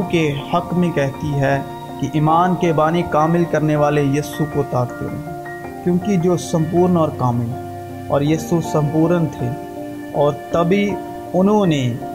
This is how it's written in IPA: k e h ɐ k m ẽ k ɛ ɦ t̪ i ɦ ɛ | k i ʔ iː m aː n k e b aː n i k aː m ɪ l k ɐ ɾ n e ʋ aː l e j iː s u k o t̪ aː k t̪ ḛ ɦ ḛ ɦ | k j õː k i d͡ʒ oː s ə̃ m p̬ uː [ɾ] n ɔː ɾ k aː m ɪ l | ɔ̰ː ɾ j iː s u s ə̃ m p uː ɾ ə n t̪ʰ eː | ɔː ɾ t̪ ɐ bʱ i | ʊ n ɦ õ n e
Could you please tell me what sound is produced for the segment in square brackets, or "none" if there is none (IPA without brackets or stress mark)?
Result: ɾ